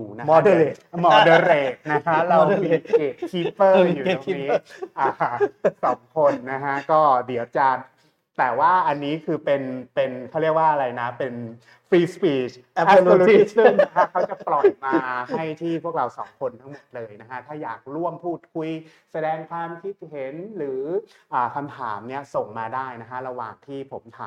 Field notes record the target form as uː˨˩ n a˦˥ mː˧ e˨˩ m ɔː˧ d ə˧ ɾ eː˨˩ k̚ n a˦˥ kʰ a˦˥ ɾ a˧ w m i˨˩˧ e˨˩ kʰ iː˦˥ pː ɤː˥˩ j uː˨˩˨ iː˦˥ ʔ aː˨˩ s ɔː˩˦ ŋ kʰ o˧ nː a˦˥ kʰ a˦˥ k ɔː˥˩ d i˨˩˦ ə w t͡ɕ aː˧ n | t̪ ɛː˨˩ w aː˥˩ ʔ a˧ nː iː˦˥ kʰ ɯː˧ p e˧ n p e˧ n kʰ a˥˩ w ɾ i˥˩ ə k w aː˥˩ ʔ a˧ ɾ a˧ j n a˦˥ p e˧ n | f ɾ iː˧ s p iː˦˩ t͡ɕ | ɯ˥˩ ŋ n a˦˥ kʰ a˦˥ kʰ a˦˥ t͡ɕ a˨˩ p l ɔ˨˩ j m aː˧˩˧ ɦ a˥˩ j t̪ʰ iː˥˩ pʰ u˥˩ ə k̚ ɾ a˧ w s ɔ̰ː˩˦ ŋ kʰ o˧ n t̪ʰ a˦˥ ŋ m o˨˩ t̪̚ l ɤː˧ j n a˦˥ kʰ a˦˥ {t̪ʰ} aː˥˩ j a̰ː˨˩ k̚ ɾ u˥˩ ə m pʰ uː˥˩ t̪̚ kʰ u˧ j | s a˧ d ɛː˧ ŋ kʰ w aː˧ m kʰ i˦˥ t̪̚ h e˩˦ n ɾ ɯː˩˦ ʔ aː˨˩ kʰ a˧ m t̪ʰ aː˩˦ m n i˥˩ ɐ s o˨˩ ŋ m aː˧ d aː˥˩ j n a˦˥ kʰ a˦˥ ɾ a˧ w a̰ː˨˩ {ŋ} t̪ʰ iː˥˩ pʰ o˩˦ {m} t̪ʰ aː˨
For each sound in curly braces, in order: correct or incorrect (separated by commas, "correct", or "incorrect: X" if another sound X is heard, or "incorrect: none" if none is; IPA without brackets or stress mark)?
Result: correct, correct, correct